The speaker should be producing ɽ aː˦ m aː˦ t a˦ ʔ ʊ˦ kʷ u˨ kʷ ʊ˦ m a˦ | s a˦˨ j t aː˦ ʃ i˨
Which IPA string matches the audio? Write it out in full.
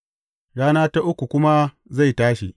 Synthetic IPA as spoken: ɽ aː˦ n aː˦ t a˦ ʔ ʊ˦ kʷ u˨ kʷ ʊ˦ m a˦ | z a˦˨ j t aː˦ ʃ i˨